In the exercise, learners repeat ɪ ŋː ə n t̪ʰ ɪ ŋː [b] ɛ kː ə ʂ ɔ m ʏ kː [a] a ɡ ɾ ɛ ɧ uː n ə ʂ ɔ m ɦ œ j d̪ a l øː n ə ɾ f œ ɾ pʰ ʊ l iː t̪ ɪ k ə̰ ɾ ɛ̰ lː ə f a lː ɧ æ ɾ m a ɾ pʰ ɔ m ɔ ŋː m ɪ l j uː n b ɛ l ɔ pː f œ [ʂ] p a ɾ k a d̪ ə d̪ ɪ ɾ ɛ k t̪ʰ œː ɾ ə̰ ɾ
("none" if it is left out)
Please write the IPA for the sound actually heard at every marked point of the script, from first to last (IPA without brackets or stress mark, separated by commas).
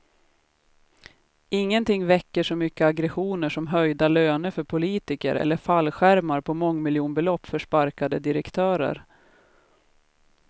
v, ə, ʂ